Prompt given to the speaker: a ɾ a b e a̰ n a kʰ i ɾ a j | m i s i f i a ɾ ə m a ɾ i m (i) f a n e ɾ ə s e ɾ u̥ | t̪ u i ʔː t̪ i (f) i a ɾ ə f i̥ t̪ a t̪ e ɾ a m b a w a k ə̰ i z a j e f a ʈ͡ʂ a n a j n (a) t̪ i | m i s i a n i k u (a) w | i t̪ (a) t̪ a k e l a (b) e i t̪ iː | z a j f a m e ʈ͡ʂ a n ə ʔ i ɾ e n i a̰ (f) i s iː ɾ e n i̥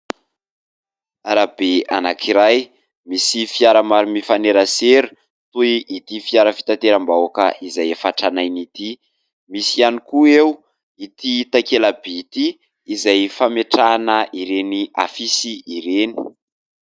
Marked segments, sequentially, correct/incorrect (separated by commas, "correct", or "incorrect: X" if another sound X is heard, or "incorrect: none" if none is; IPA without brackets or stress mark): correct, correct, incorrect: i, incorrect: e, incorrect: i, correct, correct